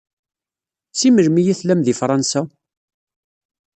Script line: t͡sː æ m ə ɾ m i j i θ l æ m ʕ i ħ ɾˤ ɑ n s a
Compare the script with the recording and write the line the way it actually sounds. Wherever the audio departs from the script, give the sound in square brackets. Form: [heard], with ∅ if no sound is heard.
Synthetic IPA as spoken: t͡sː [i] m ə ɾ m i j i θ l æ m [ð] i [f] ɾˤ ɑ n s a